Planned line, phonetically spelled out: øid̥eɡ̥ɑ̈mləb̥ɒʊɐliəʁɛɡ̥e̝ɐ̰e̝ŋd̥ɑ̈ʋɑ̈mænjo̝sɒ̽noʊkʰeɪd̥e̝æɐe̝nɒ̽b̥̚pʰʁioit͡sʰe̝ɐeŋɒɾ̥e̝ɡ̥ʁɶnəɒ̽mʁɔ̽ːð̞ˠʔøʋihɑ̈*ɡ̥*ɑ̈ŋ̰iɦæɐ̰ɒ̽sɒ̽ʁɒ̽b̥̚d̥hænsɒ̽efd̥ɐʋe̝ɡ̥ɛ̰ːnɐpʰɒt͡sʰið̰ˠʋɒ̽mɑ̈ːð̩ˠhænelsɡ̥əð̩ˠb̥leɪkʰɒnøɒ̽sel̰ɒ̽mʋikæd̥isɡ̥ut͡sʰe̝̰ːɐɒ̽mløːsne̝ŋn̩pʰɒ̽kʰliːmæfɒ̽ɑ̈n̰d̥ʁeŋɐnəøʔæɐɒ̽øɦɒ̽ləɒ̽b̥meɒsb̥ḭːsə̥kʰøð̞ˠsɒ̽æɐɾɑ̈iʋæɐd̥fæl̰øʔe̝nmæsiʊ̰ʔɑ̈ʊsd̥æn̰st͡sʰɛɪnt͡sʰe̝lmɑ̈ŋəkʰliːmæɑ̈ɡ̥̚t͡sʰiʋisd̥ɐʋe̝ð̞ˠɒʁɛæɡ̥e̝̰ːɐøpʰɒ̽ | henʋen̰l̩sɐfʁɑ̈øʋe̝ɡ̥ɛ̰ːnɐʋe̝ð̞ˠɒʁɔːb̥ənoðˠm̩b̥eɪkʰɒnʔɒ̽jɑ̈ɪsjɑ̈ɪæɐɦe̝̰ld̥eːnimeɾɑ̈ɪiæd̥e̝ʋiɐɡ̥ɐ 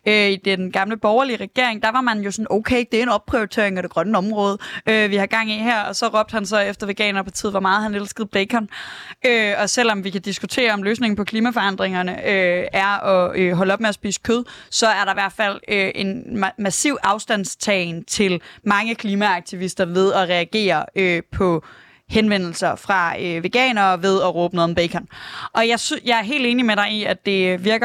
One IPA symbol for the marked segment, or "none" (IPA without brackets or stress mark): ɡ̥